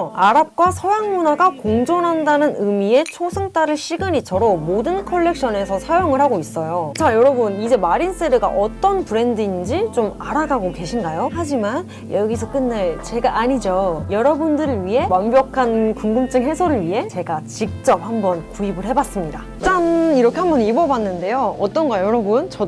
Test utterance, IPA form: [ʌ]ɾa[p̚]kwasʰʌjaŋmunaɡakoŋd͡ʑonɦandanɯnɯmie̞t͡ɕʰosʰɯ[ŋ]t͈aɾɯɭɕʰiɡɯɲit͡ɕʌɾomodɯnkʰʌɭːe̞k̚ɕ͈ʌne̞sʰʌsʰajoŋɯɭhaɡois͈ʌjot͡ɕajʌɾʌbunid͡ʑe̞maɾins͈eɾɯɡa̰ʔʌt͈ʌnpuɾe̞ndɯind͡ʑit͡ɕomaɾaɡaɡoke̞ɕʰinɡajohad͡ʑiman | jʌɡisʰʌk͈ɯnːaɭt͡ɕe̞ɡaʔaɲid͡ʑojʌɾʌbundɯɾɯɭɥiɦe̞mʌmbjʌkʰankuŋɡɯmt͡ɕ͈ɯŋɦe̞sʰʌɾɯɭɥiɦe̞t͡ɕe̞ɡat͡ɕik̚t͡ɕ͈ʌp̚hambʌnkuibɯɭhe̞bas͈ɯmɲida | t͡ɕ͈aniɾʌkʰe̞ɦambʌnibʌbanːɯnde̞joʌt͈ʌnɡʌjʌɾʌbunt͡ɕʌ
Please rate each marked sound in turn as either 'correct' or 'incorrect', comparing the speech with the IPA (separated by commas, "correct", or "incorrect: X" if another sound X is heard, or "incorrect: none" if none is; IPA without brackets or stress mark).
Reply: incorrect: a, correct, correct